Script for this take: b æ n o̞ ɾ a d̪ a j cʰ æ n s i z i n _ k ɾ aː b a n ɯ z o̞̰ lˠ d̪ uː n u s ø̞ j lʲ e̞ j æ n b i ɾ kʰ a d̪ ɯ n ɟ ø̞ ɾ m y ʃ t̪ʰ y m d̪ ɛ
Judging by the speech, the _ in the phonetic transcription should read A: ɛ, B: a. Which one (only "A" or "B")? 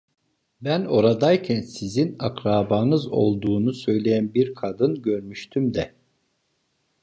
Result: B